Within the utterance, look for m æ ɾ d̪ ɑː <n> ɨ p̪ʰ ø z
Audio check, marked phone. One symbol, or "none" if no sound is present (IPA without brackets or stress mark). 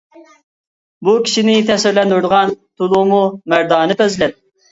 n